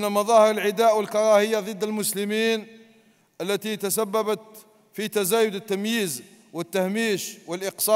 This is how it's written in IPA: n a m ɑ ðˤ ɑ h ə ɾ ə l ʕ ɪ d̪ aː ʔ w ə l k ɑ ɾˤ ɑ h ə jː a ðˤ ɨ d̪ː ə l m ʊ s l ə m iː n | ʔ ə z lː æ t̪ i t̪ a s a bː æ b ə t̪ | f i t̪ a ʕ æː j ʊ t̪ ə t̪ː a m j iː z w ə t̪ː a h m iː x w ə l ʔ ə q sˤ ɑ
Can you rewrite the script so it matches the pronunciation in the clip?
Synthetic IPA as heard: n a m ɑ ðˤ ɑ h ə ɾ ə l ʕ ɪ d̪ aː ʔ w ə l k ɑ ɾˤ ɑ h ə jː a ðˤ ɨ d̪ː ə l m ʊ s l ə m iː n | ʔ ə lː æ t̪ i t̪ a s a bː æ b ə t̪ | f i t̪ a z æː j ʊ d̪ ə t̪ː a m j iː z w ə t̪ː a h m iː ʃ w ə l ʔ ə q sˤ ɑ

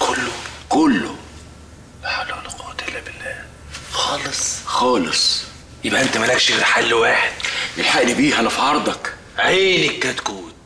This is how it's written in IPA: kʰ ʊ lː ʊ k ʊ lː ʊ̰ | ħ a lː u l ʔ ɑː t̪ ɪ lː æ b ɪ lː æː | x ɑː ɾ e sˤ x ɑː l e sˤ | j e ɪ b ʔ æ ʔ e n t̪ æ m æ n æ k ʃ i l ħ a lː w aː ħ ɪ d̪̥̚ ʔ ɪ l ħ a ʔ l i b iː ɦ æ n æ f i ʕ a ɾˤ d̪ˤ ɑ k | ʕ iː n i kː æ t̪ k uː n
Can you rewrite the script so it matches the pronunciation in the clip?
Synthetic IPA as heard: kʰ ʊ lː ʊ k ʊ lː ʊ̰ | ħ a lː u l q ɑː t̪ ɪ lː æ b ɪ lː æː | x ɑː l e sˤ x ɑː l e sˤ | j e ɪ b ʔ æ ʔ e n t̪ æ m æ n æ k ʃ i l ħ a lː w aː ħ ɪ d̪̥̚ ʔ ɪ l ħ a ʔ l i b iː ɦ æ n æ f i ʕ ɑ ɾˤ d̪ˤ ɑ k | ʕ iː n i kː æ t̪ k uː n

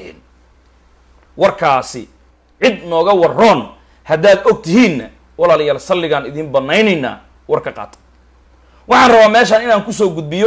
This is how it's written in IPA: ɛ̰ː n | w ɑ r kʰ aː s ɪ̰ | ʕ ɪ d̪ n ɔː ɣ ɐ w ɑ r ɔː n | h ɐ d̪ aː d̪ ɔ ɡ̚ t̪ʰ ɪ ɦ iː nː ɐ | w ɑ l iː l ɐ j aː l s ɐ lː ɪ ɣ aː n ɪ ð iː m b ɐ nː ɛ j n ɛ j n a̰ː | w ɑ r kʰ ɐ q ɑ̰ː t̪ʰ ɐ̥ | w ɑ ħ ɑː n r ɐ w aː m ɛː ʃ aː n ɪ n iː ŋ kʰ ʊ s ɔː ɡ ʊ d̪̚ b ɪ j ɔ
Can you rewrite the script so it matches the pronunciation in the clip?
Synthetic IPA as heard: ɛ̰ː n | w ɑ r kʰ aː s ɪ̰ | ʕ ɪ d̪ n ɔː ɣ ɐ w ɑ r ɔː n | h ɐ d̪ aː d̪ ɔ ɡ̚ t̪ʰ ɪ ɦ iː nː ɐ | w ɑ l aː l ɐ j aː l s ɐ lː ɪ ɣ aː n ɪ ð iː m b ɐ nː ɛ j n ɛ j n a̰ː | w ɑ r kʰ ɐ q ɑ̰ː t̪ʰ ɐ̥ | w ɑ ħ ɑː n r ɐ β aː m ɛː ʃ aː n ɪ n aː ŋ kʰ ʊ s ɔː ɡ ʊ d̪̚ b ɪ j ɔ

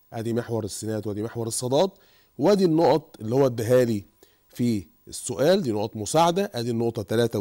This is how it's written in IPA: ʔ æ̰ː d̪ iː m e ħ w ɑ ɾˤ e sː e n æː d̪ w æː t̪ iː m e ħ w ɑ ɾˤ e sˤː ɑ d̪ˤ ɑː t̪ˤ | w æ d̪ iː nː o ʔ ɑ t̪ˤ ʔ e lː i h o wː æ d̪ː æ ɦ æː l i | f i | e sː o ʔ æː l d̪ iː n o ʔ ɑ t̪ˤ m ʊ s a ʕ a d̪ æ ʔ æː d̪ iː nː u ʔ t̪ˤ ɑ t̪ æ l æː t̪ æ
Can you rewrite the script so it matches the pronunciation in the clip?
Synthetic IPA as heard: ʔ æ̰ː d̪ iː m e ħ w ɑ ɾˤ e sː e n æː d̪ w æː d̪ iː m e ħ w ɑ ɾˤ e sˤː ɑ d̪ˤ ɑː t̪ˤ | w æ d̪ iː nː o ʔ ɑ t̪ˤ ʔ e lː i h o wː æ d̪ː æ ɦ æː l i | f i | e sː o ʔ æː l d̪ iː n o ʔ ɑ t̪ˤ m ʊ s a ʕ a d̪ æ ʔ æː d̪ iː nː o ʔ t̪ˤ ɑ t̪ æ l æː t̪ æ

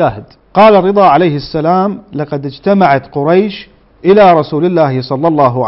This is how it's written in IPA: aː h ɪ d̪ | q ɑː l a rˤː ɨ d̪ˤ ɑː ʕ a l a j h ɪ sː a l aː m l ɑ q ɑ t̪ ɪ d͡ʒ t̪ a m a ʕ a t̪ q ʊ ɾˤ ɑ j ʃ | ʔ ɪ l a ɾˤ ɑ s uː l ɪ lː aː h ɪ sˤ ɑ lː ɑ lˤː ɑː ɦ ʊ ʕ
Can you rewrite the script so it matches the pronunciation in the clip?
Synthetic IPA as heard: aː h ɪ d̪ | q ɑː l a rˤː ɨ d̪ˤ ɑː ʕ a l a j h ɪ sː a l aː m l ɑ q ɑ d̪ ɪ d͡ʒ t̪ a m a ʕ a t̪ q ʊ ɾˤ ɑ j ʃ | ʔ ɪ l a ɾˤ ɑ s uː l ɪ lː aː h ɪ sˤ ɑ lː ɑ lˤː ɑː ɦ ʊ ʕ

